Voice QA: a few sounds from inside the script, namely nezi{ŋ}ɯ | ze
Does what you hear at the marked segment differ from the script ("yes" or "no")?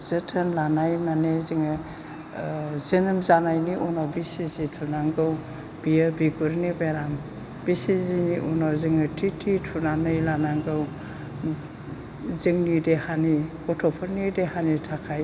no